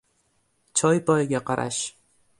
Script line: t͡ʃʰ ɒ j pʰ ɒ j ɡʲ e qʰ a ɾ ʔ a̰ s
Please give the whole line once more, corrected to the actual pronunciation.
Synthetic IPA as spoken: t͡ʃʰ ɒ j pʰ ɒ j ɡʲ a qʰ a ɾ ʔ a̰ ʃ

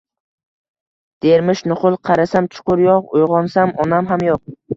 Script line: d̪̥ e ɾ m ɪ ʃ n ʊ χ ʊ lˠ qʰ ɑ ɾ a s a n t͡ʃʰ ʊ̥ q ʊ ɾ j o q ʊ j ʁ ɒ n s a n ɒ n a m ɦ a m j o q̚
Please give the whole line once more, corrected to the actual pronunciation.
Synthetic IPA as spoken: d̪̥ e ɾ m ɪ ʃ n ʊ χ ʊ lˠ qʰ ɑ ɾ a s a m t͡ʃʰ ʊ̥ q ʊ ɾ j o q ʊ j ʁ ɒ n s a m ɒ n a m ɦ a m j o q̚

